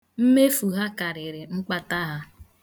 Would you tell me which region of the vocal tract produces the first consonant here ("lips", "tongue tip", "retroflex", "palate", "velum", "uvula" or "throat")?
lips